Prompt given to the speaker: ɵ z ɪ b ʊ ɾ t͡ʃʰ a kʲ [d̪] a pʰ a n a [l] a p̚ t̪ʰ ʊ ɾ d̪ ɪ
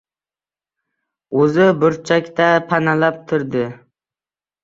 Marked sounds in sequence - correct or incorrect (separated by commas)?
incorrect, correct